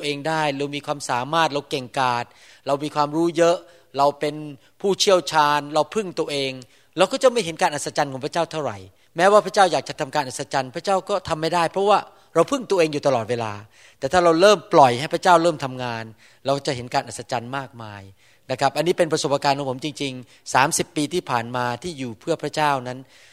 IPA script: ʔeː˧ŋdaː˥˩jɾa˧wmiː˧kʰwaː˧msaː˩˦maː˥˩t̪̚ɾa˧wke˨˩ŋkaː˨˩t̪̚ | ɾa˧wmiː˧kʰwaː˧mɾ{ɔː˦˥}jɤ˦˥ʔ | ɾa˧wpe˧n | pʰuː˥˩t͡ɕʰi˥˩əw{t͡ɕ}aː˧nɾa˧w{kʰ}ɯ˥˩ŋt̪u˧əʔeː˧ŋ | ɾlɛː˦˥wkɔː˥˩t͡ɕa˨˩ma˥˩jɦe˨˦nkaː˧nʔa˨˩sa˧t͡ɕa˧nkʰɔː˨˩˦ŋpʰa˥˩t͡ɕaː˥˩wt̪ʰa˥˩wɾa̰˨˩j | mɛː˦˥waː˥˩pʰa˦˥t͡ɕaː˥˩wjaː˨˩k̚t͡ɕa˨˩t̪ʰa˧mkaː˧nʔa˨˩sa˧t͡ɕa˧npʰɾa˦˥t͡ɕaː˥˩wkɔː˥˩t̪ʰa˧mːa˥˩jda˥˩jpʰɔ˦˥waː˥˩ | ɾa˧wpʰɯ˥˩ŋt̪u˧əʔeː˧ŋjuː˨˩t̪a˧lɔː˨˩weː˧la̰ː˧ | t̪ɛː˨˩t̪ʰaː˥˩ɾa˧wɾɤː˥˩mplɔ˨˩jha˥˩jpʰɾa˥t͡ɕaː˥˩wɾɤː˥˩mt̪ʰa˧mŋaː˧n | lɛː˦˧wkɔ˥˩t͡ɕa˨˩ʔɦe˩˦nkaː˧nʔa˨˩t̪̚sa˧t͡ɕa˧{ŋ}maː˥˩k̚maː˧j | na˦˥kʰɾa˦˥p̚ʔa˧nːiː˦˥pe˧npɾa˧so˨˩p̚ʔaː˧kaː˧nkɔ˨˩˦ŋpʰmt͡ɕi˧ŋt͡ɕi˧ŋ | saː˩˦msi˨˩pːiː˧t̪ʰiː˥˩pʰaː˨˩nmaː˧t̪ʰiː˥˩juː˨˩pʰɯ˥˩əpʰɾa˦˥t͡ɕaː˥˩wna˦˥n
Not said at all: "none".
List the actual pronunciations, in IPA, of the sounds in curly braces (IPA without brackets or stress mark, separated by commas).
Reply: uː˦˥, t͡ɕʰ, pʰ, n